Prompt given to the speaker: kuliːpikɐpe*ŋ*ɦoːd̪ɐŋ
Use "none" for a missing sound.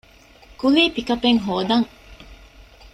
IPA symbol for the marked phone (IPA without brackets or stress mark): ŋ